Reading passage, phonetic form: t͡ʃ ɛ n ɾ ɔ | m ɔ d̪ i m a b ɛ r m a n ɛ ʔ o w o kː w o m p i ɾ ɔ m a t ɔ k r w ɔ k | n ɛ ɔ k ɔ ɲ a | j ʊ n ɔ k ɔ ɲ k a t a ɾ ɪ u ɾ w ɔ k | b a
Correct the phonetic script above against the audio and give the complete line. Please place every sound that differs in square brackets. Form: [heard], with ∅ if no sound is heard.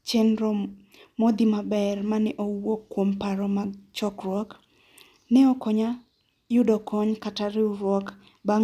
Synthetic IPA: t͡ʃ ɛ n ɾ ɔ | m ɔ d̪ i m a b ɛ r m a n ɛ ʔ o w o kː w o m p [a] ɾ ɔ m a [t͡ʃ] ɔ k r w ɔ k | n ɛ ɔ k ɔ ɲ a | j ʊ [d] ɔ k ɔ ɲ k a t a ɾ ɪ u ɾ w ɔ k | b a